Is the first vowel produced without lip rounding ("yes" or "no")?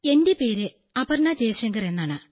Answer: yes